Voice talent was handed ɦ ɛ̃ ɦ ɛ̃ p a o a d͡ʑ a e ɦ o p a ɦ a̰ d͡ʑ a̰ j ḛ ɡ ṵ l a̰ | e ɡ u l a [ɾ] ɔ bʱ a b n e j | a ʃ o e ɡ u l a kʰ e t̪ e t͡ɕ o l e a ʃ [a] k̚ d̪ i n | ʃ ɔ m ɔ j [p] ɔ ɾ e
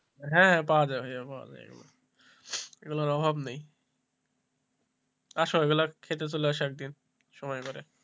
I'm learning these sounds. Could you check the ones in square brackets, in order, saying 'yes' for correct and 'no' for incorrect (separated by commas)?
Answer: yes, no, no